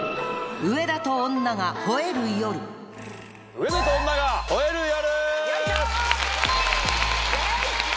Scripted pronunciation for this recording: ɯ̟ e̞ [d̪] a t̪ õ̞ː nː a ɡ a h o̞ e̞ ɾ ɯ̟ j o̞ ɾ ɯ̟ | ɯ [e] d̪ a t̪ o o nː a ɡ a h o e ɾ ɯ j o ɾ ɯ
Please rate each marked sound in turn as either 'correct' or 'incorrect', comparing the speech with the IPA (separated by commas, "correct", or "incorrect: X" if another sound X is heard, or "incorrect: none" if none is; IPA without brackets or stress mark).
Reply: correct, correct